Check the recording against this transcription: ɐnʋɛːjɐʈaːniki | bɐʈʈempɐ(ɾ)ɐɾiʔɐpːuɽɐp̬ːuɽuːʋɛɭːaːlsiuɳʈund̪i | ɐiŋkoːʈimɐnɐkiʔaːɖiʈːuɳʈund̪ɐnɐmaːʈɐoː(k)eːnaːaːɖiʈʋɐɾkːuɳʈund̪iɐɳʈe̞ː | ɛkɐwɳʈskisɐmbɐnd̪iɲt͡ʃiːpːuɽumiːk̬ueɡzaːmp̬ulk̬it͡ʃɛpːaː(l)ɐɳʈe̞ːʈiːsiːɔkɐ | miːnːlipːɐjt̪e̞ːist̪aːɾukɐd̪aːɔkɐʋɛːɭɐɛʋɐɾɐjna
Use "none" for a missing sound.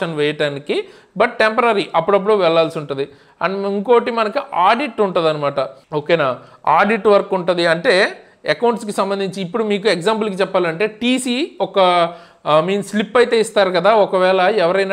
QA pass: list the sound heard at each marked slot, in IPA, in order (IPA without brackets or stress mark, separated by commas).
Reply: ɾ, k, l